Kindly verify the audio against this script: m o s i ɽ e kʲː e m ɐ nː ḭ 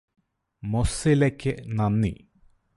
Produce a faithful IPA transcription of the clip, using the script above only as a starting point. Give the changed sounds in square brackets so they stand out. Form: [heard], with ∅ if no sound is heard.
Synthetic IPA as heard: m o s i [l] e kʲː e [n] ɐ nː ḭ

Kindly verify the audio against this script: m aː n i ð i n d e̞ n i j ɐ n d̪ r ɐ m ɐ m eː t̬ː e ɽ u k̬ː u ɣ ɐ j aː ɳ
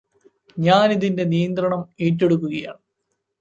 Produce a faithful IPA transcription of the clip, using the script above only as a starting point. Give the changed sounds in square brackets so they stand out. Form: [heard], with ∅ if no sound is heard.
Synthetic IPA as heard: [ɲ] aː n i ð i n d e̞ n i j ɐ n d̪ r ɐ [ɳ] ɐ m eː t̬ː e ɽ u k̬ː u ɣ ɐ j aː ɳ

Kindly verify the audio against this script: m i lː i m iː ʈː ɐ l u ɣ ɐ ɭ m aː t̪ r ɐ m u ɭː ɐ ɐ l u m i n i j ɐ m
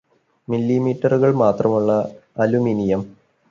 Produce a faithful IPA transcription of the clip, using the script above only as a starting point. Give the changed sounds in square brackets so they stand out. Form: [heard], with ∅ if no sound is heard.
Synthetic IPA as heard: m i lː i m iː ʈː ɐ [r] u ɣ ɐ ɭ m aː t̪ r ɐ m u ɭː ɐ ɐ l u m i n i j ɐ m

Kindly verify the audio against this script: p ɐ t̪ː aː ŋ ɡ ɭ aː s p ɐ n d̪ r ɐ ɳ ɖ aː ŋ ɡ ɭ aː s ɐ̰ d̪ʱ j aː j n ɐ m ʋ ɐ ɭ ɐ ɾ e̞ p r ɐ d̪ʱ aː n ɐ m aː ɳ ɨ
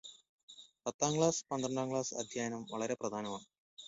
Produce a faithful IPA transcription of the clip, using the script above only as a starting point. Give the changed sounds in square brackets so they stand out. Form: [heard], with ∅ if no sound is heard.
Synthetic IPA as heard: p ɐ t̪ː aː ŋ ɡ ɭ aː s p ɐ n d̪ r ɐ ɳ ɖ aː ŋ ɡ ɭ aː s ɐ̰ d̪ʱ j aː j n ɐ m ʋ ɐ ɭ ɐ ɾ e̞ p r ɐ d̪ʱ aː n ɐ m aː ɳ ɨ

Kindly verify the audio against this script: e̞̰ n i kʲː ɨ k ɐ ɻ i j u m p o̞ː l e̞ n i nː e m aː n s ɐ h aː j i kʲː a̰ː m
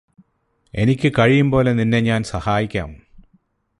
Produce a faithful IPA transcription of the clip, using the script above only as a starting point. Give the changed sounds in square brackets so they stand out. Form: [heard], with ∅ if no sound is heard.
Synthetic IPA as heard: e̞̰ n i kʲː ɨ k ɐ ɻ i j u m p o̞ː l e̞ n i nː e [ɲ] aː n s ɐ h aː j i kʲː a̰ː m

